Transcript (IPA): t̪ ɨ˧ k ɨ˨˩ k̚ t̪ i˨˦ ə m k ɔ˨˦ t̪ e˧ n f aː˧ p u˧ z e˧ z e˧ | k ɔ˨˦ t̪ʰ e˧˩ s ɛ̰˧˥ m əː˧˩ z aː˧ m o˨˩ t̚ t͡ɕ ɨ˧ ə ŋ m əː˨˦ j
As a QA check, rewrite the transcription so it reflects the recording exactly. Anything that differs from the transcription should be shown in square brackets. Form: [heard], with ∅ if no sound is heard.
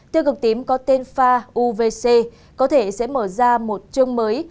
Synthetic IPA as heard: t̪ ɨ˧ k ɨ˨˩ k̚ t̪ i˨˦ ə m k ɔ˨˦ t̪ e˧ n f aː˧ [ʔ] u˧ [v] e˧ [s] e˧ | k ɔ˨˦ t̪ʰ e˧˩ s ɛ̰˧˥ m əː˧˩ z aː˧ m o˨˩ t̚ t͡ɕ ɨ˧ ə ŋ m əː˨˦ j